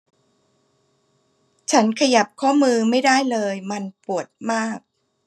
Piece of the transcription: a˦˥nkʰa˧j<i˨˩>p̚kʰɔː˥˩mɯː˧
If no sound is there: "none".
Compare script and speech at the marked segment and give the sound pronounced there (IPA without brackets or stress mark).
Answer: a˨˩